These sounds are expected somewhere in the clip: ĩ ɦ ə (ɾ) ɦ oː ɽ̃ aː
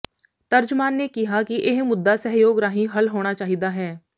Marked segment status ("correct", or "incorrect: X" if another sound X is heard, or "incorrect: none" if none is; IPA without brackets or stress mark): incorrect: l